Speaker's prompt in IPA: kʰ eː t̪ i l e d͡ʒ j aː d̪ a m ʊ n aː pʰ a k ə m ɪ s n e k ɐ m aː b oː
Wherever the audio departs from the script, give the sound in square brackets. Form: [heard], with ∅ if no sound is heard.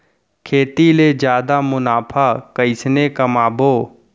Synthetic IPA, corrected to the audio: kʰ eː t̪ i l e d͡ʒ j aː d̪ a m ʊ n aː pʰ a k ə [∅] ɪ s n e k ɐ m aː b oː